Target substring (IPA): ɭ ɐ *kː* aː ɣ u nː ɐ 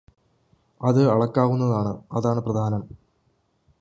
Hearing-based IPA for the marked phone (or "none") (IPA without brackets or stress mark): kː